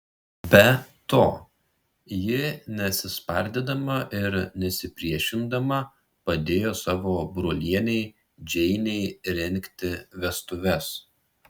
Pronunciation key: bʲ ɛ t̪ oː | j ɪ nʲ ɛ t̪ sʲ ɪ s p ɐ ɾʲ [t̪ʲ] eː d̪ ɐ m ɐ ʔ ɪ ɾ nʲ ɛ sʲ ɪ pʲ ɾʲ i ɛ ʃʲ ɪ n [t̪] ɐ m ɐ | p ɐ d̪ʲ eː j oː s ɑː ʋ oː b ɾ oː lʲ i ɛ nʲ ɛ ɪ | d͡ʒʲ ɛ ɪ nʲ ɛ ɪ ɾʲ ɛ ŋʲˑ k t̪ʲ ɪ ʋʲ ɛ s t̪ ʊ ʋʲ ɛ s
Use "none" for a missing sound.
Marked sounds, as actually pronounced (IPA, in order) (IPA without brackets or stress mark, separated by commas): d̪ʲ, d̪